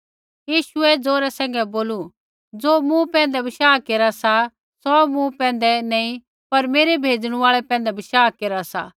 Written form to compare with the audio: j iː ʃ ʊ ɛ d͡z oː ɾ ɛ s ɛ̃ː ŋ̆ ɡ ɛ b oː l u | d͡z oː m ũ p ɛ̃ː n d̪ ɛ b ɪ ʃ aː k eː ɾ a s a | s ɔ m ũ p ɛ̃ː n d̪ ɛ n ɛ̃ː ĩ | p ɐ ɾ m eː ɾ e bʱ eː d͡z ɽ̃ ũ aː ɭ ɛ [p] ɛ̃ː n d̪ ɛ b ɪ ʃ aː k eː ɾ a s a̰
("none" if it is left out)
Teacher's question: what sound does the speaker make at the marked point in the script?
p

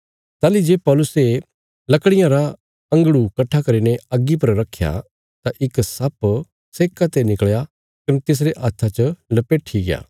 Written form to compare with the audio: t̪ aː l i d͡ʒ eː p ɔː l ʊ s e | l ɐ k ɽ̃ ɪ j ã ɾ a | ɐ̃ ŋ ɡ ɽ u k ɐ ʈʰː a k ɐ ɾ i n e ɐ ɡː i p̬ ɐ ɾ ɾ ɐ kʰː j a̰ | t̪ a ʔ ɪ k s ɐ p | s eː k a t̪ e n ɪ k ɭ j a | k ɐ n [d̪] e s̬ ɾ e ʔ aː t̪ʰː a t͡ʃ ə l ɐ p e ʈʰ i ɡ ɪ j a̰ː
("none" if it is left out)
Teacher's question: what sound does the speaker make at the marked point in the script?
t̪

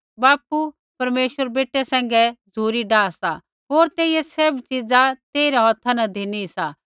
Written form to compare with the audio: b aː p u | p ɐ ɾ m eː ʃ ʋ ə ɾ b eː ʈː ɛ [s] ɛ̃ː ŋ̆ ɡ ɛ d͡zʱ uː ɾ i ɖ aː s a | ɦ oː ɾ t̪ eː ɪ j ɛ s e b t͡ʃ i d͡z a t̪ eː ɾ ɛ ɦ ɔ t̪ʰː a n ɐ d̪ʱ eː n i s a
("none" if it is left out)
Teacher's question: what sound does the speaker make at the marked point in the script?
s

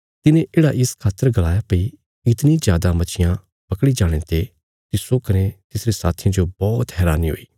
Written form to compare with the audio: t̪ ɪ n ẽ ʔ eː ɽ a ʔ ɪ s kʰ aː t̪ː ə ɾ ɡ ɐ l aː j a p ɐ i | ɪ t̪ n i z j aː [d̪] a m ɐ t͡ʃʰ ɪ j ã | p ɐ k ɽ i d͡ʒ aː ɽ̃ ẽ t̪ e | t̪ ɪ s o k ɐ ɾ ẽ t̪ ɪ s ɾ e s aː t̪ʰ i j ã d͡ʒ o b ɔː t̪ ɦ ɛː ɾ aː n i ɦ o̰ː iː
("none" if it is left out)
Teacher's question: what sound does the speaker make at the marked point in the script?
d̪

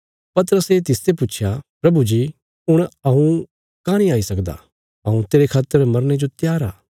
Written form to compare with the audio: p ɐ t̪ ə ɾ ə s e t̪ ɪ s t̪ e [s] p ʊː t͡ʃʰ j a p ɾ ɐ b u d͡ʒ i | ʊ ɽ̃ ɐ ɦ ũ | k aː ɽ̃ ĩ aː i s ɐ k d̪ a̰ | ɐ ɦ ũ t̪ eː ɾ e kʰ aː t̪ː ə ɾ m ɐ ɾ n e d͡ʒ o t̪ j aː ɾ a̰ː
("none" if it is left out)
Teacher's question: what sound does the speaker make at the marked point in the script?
none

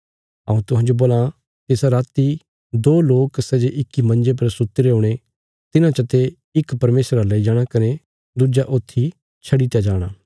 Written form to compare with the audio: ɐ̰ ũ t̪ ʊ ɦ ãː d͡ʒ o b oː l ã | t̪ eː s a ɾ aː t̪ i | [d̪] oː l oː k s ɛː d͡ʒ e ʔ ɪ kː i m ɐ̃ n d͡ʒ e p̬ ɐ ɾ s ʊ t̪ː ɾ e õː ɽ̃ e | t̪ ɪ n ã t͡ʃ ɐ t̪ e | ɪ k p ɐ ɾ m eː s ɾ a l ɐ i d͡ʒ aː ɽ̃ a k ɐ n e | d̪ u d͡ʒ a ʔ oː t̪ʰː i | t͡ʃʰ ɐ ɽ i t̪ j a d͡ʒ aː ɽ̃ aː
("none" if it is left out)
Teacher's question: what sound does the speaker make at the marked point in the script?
d̪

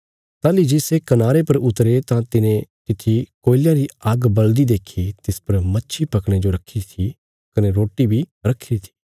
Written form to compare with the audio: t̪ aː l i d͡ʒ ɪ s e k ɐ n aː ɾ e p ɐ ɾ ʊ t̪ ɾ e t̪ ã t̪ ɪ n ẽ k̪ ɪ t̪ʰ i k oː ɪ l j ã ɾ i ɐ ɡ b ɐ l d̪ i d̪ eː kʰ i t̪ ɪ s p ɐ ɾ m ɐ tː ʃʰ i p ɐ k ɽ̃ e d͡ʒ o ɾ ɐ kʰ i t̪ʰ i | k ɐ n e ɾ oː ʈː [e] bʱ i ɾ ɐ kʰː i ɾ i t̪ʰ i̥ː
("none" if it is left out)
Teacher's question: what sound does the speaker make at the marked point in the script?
i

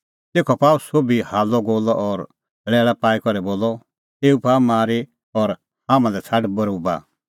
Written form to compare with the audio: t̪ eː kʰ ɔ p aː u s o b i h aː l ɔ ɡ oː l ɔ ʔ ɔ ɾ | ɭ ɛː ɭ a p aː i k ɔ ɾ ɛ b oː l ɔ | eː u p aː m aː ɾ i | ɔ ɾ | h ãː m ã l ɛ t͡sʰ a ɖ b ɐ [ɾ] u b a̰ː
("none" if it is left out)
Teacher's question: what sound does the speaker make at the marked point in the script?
ɾ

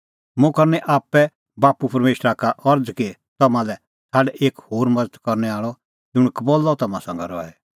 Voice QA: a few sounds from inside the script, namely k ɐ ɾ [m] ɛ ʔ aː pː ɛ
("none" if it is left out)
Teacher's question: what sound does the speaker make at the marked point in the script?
n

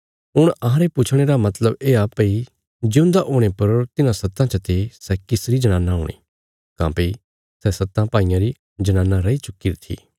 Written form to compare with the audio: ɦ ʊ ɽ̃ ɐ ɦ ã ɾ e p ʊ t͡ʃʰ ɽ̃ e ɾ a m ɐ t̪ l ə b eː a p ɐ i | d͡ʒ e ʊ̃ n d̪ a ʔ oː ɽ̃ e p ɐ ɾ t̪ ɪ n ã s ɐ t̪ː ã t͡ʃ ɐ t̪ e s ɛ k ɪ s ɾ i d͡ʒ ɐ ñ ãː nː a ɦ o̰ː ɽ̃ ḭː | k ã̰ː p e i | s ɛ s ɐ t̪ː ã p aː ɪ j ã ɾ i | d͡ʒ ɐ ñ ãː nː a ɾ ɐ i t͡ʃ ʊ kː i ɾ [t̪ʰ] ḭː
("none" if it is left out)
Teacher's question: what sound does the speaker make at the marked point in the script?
t̪ʰ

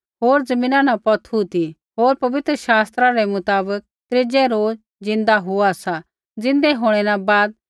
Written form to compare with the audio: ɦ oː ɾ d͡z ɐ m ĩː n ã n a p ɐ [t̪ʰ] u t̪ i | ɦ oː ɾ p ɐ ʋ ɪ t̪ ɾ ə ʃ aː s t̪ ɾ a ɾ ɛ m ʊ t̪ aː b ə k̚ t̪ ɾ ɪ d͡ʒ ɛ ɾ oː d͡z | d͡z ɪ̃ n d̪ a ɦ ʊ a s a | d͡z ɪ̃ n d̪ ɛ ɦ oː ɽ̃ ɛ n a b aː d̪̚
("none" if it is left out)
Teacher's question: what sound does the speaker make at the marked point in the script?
t̪ʰ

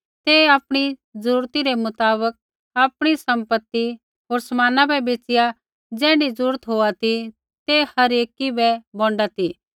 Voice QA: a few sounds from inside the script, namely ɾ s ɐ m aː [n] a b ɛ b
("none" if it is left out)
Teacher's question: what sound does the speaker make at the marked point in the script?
n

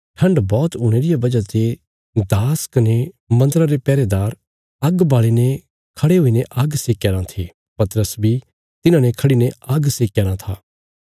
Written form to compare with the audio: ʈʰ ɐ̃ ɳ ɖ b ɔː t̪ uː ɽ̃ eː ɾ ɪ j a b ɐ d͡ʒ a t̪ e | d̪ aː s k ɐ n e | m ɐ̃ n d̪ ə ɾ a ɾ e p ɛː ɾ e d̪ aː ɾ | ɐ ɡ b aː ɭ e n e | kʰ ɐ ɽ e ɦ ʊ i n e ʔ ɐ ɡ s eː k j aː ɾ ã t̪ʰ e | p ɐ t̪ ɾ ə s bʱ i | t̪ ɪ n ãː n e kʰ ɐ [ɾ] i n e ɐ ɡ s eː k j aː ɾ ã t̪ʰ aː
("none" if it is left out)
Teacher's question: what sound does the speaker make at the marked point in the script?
ɽ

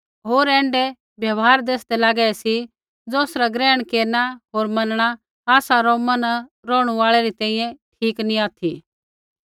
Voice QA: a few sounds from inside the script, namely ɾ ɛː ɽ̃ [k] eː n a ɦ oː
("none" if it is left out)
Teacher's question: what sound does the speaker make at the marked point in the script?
k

